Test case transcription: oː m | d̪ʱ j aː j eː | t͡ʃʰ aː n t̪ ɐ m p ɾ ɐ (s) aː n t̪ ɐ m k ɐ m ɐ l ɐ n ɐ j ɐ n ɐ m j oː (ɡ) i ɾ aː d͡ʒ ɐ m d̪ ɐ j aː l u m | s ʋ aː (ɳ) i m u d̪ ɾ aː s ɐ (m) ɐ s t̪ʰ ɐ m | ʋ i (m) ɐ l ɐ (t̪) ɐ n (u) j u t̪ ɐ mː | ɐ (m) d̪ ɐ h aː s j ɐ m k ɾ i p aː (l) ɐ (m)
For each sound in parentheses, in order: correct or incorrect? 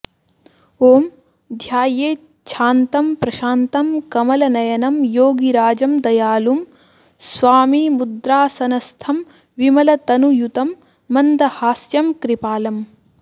incorrect: ʃ, correct, incorrect: m, incorrect: n, correct, correct, correct, incorrect: n, correct, correct

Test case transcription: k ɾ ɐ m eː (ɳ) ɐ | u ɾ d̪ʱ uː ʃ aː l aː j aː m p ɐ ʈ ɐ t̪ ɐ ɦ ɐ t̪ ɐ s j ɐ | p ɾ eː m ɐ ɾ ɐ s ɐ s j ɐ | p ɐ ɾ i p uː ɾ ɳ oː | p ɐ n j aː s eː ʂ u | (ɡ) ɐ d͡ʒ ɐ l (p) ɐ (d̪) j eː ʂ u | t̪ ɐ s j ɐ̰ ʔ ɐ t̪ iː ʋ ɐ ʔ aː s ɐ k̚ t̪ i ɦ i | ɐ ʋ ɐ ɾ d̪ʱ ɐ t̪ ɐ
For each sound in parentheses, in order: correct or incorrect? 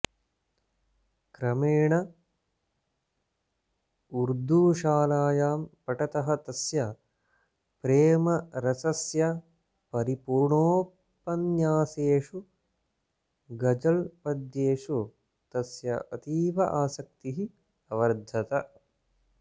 correct, correct, correct, correct

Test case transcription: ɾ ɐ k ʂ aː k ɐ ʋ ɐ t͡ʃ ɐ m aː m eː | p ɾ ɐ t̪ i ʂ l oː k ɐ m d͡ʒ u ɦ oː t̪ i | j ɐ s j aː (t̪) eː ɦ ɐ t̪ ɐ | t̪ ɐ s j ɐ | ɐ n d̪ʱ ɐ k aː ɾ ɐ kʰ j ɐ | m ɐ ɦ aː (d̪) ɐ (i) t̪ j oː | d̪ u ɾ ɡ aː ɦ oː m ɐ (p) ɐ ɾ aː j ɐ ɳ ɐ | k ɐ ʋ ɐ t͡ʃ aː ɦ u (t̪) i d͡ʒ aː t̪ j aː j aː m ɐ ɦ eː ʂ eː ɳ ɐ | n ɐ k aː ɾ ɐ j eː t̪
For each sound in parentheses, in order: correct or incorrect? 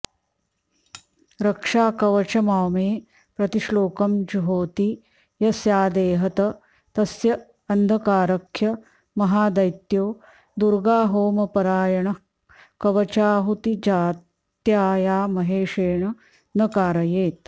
incorrect: d̪, correct, incorrect: j, correct, correct

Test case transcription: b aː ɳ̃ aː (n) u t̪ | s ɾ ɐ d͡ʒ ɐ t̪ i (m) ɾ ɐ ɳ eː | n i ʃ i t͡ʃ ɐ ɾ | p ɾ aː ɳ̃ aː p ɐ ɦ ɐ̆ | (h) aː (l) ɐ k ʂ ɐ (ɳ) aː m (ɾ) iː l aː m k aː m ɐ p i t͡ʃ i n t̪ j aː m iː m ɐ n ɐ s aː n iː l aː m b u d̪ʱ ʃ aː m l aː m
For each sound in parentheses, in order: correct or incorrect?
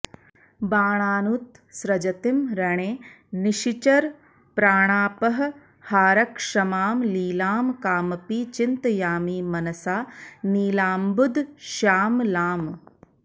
correct, correct, correct, incorrect: ɾ, incorrect: m, incorrect: l

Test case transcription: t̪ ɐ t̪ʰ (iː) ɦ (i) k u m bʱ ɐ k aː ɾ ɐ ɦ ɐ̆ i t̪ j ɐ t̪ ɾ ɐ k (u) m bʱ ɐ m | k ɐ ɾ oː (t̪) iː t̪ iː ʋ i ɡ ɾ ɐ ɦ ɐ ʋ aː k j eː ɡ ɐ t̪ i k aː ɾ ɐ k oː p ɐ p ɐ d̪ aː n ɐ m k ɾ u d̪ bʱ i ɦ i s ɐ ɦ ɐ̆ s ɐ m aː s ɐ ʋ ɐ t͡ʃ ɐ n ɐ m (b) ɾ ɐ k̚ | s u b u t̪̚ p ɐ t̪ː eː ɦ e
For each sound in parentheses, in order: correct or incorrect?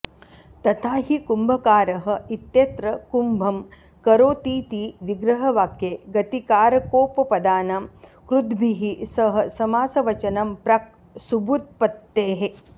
incorrect: aː, correct, correct, correct, incorrect: p

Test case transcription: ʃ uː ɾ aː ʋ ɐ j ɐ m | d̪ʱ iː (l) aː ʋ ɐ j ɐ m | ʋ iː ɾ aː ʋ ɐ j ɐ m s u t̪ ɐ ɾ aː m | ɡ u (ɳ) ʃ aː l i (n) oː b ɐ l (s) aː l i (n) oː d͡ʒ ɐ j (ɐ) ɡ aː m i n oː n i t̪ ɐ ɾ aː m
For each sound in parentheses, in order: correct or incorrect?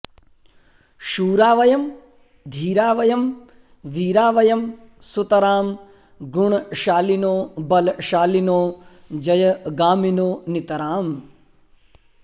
incorrect: ɾ, correct, correct, incorrect: ʃ, correct, correct

